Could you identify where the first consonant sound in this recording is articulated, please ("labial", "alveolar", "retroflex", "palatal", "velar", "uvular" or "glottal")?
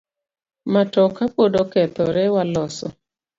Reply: labial